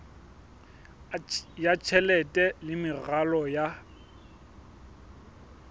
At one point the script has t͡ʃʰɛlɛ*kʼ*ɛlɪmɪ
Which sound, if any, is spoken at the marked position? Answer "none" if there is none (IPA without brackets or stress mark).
tʼ